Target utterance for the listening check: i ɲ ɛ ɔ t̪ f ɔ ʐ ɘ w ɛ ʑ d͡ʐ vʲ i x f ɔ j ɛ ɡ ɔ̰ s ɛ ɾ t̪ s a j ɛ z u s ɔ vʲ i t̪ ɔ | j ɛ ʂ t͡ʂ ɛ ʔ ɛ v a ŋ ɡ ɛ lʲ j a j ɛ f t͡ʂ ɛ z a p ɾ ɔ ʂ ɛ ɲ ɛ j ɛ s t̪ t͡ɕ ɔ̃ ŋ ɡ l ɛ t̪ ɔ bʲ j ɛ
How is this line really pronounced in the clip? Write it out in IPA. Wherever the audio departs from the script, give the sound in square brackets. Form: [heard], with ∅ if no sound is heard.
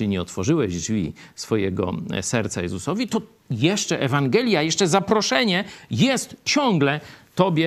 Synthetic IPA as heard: i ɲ ɛ ɔ t̪ f ɔ ʐ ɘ w ɛ ʑ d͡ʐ vʲ i [s] f ɔ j ɛ ɡ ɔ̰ s ɛ ɾ t̪ s a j ɛ z u s ɔ vʲ i t̪ ɔ | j ɛ ʂ t͡ʂ ɛ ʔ ɛ v a ŋ ɡ ɛ lʲ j a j ɛ [ʂ] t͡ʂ ɛ z a p ɾ ɔ ʂ ɛ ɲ ɛ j ɛ s t̪ t͡ɕ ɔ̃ ŋ ɡ l ɛ t̪ ɔ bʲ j ɛ